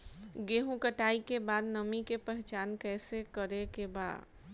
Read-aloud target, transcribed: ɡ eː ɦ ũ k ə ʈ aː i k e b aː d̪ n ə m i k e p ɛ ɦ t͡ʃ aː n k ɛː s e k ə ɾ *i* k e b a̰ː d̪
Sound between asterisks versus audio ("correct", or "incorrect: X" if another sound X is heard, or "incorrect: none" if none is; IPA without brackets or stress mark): incorrect: e